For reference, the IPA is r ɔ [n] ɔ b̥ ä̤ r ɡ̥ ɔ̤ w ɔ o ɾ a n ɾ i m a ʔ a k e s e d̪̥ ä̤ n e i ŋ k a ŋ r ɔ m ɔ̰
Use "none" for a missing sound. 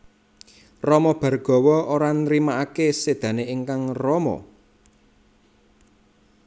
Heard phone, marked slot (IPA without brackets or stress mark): m